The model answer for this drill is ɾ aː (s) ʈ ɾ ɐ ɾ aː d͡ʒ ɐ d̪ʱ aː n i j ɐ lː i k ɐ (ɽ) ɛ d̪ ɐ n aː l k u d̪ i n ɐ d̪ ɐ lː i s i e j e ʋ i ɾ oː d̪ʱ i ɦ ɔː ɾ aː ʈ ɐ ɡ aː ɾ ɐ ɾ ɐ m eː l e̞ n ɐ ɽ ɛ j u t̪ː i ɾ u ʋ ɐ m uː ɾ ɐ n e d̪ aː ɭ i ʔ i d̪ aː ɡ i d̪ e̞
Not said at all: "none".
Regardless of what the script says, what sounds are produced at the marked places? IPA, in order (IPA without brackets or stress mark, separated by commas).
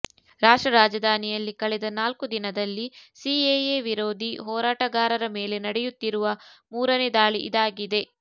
ʂ, ɭ